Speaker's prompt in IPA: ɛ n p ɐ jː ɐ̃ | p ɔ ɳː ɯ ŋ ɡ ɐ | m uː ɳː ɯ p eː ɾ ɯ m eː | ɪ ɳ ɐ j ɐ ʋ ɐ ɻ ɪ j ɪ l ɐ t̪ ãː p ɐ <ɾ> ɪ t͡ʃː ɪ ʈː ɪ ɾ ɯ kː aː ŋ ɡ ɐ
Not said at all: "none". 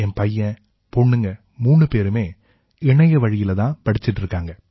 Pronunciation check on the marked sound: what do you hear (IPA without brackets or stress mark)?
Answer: ɽ